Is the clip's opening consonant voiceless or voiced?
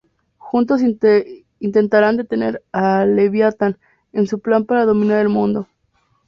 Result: voiceless